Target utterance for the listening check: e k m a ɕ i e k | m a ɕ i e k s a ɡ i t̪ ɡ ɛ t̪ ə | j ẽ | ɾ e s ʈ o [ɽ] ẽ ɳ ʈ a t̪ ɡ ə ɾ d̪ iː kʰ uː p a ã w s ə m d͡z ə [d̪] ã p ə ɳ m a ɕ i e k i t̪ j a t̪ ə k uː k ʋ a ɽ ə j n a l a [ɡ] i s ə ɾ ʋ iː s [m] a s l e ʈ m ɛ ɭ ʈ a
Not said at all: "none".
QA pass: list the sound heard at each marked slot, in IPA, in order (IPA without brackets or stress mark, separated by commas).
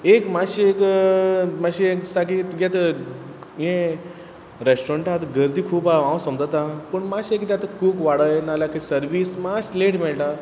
ɾ, t̪, k, m